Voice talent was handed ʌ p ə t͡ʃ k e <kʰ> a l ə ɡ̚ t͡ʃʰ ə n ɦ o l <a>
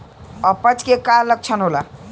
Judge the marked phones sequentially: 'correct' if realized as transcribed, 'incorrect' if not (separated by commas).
incorrect, correct